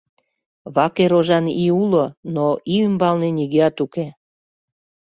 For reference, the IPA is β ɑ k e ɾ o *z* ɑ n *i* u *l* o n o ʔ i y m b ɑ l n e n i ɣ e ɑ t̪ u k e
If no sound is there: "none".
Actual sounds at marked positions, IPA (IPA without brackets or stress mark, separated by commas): ʒ, i, l